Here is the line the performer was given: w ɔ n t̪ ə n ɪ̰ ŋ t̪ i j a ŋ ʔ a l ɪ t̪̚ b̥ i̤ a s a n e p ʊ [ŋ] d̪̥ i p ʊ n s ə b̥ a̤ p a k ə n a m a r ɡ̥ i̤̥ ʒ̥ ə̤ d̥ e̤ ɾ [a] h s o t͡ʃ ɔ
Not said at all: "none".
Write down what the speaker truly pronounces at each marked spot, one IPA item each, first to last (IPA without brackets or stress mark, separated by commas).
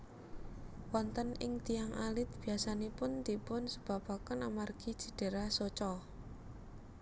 n, a